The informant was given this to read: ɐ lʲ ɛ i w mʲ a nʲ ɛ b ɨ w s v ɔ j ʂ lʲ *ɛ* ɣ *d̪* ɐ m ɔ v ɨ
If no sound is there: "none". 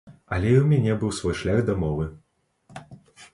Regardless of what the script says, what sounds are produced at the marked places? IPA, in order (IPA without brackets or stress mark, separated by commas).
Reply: a, d̪